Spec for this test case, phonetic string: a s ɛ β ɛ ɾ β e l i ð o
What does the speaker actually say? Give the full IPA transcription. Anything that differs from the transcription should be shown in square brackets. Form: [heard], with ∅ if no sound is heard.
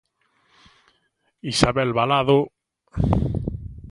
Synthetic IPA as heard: [i] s [a] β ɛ [l] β [a] l [a] ð o